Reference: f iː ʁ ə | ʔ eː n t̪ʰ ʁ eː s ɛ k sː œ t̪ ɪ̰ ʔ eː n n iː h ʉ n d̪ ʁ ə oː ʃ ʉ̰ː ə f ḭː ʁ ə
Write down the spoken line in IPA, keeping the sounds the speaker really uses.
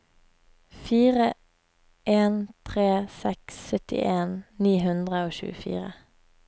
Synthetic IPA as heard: f iː ʁ ə | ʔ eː n t̪ʰ ʁ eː s ɛ k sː œ t̪ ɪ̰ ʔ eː n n iː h ʉ n d̪ ʁ ə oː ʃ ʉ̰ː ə f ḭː ʁ ə